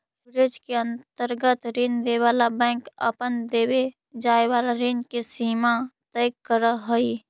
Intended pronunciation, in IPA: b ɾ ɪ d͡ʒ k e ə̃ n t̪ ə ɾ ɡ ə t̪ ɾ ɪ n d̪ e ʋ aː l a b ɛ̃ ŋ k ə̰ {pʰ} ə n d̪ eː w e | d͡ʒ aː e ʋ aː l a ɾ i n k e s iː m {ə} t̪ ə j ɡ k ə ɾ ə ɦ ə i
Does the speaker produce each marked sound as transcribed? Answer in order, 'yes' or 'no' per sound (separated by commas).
no, no